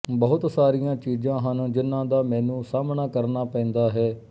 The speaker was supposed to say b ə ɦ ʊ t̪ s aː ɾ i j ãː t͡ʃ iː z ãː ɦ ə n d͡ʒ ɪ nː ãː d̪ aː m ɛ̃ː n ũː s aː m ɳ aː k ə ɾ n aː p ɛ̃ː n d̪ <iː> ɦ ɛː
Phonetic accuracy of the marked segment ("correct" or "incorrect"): incorrect